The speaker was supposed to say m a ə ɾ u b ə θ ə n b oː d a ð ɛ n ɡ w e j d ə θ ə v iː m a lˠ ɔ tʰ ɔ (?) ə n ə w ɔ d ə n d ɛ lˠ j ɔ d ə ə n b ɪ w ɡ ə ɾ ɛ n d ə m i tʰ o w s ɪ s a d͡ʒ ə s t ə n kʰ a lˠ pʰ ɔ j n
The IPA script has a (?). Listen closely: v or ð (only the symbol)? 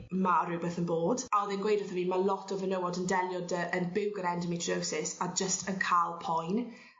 v